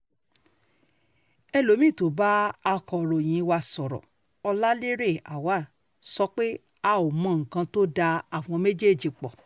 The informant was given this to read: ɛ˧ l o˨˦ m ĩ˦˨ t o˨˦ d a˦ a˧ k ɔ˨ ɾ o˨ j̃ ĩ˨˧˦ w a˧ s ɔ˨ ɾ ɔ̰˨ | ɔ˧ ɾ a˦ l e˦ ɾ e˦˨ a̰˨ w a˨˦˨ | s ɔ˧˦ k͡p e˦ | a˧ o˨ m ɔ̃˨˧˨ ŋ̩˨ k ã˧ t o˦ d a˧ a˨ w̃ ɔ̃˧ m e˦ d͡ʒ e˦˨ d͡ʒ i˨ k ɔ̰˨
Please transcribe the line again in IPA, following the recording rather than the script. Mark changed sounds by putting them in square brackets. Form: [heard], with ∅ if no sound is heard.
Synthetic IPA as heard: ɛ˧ l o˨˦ m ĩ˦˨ t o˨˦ [b] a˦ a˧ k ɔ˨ ɾ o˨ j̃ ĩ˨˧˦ w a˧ s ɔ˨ ɾ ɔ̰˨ | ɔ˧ [l] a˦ l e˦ ɾ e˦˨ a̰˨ w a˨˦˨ | s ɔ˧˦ k͡p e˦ | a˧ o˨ m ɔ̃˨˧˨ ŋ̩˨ k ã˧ t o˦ d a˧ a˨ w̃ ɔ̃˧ m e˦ d͡ʒ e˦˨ d͡ʒ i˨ [k͡p] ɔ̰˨

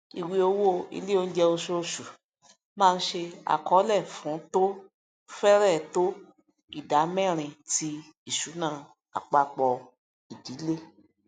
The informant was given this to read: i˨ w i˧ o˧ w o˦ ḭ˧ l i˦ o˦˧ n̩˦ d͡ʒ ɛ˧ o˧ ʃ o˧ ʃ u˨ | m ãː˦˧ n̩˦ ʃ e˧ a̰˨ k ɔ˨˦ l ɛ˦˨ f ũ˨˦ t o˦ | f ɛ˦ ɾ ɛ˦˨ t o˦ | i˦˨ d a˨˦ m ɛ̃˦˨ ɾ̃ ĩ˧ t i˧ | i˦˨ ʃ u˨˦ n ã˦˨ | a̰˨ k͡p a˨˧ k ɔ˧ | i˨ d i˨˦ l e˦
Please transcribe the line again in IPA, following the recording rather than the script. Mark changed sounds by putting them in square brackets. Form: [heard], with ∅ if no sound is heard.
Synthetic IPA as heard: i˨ w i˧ o˧ w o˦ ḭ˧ l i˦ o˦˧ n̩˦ d͡ʒ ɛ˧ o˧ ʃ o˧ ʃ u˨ | m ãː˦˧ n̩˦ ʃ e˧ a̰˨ k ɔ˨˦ l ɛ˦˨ f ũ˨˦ t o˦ | f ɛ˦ ɾ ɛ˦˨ t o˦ | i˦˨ d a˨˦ m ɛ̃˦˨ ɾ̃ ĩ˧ t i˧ | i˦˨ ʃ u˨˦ n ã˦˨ | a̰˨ k͡p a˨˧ [k͡p] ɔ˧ | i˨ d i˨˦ l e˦

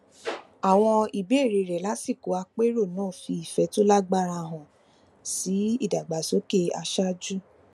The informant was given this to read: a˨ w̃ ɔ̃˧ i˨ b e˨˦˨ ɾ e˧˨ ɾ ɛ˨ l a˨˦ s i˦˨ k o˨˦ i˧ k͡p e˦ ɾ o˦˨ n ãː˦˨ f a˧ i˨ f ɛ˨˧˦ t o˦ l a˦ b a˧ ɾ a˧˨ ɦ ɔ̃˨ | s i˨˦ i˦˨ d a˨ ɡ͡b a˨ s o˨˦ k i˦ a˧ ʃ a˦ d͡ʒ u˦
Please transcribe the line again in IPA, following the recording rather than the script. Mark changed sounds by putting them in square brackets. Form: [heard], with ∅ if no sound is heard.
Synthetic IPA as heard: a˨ w̃ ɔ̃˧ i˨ b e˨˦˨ ɾ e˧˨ ɾ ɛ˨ l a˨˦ s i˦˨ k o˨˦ [a˧] k͡p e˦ ɾ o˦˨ n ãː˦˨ f [i˧] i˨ f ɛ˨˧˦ t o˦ l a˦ [ɡ͡b] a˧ ɾ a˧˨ ɦ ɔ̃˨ | s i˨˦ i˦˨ d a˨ ɡ͡b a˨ s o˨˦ k [e˦] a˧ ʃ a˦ d͡ʒ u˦

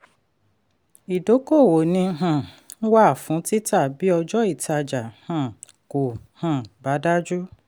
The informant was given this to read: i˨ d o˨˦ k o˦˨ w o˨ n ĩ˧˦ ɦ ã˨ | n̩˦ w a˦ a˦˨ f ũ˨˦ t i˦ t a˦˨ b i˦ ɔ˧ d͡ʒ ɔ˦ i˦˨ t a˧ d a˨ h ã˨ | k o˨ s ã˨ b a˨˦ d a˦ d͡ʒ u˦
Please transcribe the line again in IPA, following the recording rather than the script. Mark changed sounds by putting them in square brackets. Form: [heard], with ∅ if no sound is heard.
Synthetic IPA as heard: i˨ d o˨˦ k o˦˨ w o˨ n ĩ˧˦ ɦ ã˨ | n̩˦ w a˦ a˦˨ f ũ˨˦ t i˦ t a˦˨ b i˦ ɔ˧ d͡ʒ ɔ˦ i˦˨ t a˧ [d͡ʒ] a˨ h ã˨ | k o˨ [h] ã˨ b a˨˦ d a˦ d͡ʒ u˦

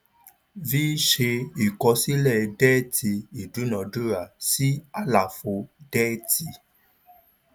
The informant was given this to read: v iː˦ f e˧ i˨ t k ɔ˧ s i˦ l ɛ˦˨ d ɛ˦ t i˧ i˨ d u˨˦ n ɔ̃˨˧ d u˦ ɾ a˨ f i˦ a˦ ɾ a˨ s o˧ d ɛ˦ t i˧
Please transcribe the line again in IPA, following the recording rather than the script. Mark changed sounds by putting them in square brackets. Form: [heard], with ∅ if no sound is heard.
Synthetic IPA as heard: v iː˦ [ʃ] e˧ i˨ [∅] k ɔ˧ s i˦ l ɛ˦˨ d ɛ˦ t i˧ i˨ d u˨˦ n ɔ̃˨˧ d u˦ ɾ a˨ [s] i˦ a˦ [l] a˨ [f] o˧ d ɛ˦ t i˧

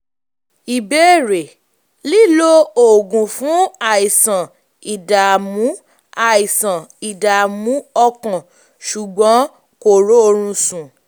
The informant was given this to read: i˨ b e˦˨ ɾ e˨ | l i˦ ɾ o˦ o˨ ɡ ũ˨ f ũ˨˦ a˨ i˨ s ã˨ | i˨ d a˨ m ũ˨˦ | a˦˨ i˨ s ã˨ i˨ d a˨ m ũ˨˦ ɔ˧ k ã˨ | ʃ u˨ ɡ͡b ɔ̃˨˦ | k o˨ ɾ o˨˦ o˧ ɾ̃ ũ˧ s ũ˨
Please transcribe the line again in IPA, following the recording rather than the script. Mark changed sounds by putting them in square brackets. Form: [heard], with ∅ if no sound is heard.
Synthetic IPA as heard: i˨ b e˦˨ ɾ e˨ | l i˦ [l] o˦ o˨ ɡ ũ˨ f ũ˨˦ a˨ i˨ s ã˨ | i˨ d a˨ m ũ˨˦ | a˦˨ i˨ s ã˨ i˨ d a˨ m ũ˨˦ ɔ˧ k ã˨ | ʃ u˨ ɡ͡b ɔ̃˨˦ | k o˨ ɾ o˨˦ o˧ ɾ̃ ũ˧ s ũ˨

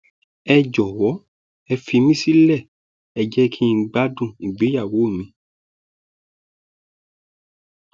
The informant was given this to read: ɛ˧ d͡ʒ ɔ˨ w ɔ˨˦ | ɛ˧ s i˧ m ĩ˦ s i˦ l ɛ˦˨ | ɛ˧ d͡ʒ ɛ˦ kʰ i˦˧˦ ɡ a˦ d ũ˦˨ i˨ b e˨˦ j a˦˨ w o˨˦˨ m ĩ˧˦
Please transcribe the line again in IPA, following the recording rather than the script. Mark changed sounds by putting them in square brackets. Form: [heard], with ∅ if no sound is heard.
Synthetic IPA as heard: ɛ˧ d͡ʒ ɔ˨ w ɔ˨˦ | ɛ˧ [f] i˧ m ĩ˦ s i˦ l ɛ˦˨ | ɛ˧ d͡ʒ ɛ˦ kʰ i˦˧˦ [ɡ͡b] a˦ d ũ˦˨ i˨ [ɡ͡b] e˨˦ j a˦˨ w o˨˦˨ m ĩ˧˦

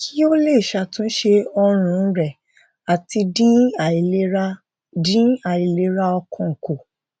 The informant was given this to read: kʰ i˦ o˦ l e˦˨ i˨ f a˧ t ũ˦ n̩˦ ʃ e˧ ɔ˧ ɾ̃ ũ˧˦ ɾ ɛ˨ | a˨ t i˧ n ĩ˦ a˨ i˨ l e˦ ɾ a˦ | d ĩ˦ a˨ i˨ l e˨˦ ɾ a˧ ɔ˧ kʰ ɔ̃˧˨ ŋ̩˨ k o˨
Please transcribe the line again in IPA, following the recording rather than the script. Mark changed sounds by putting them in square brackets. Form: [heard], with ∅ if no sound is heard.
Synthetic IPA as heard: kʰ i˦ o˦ l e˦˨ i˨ [ʃ] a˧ t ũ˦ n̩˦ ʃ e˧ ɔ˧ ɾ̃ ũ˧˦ ɾ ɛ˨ | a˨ t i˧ [d] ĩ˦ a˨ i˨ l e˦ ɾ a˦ | d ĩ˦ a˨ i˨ l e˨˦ ɾ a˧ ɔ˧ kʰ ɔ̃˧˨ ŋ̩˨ k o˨

